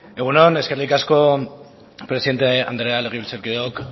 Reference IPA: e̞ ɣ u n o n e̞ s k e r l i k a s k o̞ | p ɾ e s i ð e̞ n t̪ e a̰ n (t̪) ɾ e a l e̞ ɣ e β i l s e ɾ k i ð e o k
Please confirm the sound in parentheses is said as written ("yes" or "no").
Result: no